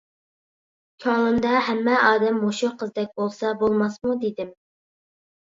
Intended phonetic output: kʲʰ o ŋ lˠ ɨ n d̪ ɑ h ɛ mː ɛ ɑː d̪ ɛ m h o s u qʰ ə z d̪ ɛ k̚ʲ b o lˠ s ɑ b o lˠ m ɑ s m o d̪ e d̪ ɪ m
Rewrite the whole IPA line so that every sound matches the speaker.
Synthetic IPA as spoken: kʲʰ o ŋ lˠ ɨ n d̪ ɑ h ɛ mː ɛ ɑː d̪ ɛ m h o ʃ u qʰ ə z d̪ ɛ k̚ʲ b o lˠ s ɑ b o lˠ m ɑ s m u d̪ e d̪ ɪ m